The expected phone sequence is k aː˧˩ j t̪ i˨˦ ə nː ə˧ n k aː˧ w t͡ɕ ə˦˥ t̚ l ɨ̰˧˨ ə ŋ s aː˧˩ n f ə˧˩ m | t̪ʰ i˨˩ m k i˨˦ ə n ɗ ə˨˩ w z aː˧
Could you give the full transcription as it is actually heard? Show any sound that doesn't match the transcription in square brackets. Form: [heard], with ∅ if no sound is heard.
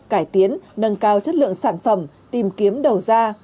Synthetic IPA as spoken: k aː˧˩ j t̪ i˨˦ ə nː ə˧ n k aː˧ w t͡ɕ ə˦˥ t̚ l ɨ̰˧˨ ə ŋ s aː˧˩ n f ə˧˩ m | [t̪] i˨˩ m k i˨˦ ə [m] ɗ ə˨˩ w z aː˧